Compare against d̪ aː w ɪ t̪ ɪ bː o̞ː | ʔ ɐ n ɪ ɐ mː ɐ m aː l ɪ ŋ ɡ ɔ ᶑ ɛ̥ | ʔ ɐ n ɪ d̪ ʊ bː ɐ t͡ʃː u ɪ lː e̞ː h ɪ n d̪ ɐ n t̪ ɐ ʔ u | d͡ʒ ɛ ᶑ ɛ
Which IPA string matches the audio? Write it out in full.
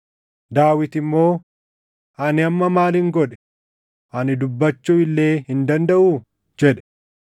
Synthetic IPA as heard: d̪ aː w ɪ t̪ ɪ mː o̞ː | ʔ ɐ n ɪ ɐ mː ɐ m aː l ɪ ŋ ɡ ɔ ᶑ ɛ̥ | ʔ ɐ n ɪ d̪ ʊ bː ɐ t͡ʃː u ɪ lː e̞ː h ɪ n d̪ ɐ n d̪ ɐ ʔ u | d͡ʒ ɛ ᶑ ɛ